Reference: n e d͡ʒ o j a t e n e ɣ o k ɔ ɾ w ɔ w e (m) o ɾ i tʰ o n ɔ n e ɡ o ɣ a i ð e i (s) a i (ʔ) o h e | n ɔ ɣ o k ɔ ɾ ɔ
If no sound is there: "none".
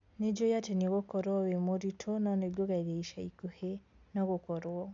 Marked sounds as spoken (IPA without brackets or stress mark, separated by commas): m, ʃ, k